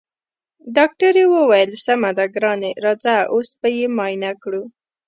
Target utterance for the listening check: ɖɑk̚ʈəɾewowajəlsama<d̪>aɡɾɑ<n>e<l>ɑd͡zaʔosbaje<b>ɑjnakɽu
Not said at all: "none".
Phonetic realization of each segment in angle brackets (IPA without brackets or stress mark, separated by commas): d̪, n, ɾ, m